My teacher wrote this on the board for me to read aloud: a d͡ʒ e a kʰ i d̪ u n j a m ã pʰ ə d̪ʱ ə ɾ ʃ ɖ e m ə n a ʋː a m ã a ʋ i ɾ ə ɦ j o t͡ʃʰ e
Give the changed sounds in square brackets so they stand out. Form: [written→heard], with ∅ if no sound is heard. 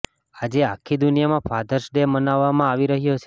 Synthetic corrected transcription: a d͡ʒ e a kʰ i d̪ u n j a m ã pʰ [ə→a] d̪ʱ ə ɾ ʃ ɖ e m ə n a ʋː a m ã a ʋ i ɾ ə ɦ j o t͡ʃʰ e

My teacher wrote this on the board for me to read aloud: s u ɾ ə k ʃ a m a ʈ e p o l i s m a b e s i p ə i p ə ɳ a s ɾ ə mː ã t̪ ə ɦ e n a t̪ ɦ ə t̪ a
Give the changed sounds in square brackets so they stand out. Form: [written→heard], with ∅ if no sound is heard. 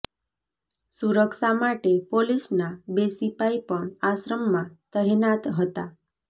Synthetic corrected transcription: s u ɾ ə k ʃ a m a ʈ e p o l i s [m→n] a b e s i p [ə→a] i p ə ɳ a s ɾ ə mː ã t̪ ə ɦ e n a t̪ ɦ ə t̪ a

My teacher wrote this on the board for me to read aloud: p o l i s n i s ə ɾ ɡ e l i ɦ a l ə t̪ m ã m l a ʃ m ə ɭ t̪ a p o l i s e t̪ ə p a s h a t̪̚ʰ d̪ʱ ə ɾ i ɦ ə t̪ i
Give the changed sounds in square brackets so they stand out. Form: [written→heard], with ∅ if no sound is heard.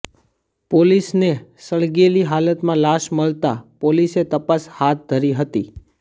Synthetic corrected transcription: p o l i s n [i→e] s ə [ɾ→ɭ] ɡ e l i ɦ a l ə t̪ m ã [m→∅] l a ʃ m ə ɭ t̪ a p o l i s e t̪ ə p a s h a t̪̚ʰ d̪ʱ ə ɾ i ɦ ə t̪ i

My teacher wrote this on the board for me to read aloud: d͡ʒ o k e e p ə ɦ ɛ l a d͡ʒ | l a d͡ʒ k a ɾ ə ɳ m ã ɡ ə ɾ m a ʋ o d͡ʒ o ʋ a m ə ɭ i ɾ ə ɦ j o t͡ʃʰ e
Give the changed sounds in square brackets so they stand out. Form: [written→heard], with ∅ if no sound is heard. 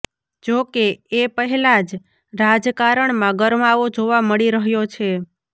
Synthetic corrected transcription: d͡ʒ o k e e p ə ɦ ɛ l a d͡ʒ | [l→ɾ] a d͡ʒ k a ɾ ə ɳ m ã ɡ ə ɾ m a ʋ o d͡ʒ o ʋ a m ə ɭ i ɾ ə ɦ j o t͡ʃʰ e

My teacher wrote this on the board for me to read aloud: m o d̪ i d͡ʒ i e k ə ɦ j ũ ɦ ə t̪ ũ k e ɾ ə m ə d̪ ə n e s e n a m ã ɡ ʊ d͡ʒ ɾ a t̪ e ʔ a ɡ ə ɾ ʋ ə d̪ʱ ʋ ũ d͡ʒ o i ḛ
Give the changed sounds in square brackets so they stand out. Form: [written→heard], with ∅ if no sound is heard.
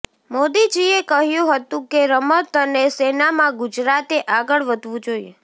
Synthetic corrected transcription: m o d̪ i d͡ʒ i e k ə ɦ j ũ ɦ ə t̪ ũ k e ɾ ə m ə [d̪→t̪] ə n e s e n a m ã ɡ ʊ d͡ʒ ɾ a t̪ e ʔ a ɡ ə [ɾ→ɭ] ʋ ə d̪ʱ ʋ ũ d͡ʒ o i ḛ

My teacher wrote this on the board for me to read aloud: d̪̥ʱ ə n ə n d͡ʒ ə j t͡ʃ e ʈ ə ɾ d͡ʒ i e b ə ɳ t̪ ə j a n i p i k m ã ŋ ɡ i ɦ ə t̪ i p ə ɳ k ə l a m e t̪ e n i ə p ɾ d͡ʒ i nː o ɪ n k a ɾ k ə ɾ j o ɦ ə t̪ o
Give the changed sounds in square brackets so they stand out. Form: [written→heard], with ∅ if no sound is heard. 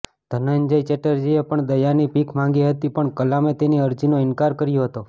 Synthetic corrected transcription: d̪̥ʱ ə n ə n d͡ʒ ə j t͡ʃ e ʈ ə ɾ d͡ʒ i e [b→p] ə ɳ [t̪→d̪] ə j a n i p i k m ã ŋ ɡ i ɦ ə t̪ i p ə ɳ k ə l a m e t̪ e n i ə [p→∅] ɾ d͡ʒ i [nː→n] o ɪ n k a ɾ k ə ɾ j o ɦ ə t̪ o

